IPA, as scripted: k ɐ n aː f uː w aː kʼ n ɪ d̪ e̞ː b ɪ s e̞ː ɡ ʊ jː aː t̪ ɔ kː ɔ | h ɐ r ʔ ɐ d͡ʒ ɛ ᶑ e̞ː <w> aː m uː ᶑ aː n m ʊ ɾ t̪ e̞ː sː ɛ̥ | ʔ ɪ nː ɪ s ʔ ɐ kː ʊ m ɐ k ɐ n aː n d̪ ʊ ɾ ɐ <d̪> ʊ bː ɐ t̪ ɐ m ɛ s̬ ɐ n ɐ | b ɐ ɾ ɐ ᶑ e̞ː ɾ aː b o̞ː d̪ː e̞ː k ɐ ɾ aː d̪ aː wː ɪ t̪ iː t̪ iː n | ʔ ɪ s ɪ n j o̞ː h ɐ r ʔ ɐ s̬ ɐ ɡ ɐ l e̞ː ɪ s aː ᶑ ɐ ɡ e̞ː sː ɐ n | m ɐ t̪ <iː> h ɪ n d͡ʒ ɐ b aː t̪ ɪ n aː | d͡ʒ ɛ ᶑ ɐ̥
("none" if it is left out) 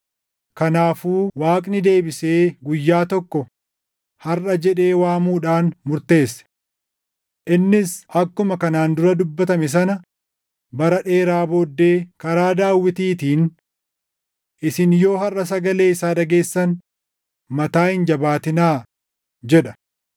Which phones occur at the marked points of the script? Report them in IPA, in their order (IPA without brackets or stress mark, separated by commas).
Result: w, d̪, aː